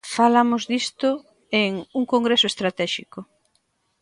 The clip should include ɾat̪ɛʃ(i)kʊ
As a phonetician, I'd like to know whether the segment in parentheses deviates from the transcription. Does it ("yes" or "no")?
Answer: no